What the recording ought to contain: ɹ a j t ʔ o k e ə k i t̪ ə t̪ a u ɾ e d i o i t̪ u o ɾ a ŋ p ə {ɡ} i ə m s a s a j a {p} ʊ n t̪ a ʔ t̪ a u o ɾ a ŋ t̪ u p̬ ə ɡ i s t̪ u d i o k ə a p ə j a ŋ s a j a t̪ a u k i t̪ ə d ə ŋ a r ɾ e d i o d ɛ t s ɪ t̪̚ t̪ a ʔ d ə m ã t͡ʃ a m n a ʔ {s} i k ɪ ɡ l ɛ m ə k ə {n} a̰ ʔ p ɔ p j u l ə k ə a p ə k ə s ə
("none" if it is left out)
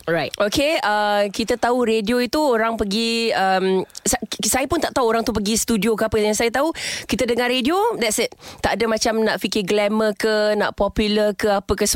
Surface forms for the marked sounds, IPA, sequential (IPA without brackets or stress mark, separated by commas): ɡ, p, f, n